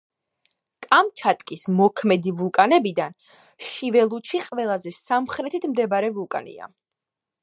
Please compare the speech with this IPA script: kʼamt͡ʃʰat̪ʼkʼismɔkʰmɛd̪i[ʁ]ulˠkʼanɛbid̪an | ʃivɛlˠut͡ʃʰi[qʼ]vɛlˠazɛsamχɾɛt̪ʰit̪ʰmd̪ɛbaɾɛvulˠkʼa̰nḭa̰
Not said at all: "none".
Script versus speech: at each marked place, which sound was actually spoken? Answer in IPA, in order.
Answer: v, qʼ

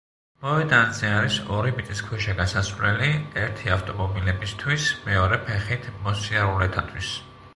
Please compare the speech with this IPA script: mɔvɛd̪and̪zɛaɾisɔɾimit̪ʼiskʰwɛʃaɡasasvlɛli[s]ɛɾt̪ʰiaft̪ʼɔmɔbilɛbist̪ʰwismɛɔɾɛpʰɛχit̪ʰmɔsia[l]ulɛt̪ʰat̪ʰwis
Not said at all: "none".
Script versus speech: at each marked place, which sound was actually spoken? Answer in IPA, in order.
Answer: none, ɾ

